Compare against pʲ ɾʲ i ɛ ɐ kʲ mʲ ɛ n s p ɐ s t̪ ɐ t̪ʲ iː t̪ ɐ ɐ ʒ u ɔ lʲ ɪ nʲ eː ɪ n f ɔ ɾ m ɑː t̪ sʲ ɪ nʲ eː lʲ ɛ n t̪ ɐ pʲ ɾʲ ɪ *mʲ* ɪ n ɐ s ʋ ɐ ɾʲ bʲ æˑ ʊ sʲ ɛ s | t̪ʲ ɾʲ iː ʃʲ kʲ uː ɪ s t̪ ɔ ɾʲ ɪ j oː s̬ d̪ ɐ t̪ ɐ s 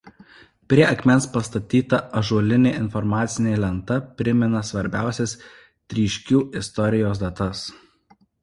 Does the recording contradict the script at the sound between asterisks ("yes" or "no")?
no